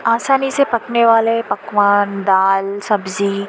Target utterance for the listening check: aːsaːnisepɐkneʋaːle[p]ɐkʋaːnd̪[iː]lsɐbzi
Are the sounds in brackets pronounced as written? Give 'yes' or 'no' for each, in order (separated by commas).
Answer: yes, no